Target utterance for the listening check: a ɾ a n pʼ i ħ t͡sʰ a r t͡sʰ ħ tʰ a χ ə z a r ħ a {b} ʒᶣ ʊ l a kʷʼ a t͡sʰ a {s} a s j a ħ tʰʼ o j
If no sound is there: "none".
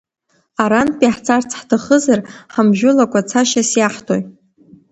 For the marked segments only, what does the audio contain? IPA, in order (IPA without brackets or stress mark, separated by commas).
m, ʃ